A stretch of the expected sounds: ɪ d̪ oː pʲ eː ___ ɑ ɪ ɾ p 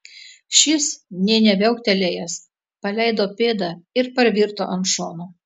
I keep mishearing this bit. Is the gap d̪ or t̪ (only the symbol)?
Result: d̪